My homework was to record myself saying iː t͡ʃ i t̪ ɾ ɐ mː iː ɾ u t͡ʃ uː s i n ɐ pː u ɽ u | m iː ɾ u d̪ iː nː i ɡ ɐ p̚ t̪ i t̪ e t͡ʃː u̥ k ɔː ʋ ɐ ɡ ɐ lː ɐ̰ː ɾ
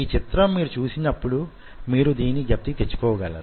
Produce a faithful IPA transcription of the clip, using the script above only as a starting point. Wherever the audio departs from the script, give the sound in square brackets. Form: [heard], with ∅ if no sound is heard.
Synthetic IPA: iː t͡ʃ i t̪ ɾ ɐ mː iː ɾ u t͡ʃ uː s i n ɐ pː u ɽ u | m iː ɾ u d̪ iː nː i ɡ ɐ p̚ t̪ i t̪ e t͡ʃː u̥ k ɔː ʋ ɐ ɡ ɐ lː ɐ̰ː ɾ